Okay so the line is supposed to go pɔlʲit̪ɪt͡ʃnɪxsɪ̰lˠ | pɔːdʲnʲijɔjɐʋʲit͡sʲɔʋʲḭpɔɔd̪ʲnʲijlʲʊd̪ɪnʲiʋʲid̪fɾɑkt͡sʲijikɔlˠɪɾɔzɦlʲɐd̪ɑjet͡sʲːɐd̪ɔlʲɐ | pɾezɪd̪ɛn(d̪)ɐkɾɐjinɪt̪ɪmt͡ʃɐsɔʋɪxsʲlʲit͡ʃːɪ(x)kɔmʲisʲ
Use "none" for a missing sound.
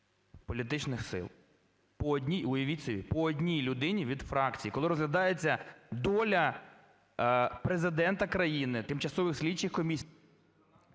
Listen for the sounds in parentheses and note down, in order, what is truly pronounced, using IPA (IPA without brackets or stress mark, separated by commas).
t̪, x